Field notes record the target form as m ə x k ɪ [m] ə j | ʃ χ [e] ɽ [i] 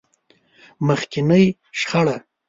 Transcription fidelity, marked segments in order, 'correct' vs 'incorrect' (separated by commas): incorrect, incorrect, incorrect